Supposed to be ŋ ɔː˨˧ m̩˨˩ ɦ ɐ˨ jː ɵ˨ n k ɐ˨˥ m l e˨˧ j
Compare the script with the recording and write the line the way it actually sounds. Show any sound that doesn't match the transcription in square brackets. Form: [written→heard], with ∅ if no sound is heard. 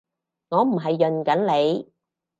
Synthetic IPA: ŋ ɔː˨˧ m̩˨˩ ɦ ɐ˨ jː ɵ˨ n k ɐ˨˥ [m→n] l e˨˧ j